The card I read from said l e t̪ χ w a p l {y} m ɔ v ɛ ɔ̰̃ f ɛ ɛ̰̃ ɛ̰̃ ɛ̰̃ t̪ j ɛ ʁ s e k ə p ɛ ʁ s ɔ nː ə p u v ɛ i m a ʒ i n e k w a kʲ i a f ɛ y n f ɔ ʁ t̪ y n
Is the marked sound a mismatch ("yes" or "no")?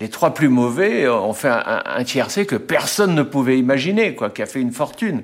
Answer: no